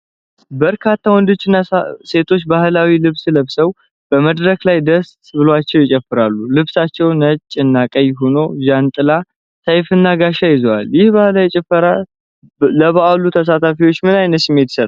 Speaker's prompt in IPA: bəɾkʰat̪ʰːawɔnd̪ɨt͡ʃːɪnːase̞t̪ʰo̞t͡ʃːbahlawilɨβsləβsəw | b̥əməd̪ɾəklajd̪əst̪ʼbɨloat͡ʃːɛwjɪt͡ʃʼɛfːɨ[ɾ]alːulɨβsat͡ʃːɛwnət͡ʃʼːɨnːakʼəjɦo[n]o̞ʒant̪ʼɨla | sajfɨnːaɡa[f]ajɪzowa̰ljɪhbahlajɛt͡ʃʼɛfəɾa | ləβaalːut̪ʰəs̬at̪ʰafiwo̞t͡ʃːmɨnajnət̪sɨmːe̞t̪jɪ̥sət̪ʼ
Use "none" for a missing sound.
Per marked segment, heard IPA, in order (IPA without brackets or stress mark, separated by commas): ɾ, n, ʃ